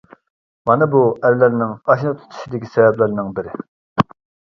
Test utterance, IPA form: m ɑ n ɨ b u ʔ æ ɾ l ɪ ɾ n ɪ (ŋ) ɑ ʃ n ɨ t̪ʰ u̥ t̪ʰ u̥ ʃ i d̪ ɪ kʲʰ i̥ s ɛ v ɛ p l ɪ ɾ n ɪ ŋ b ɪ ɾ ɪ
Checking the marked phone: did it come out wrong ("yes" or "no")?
no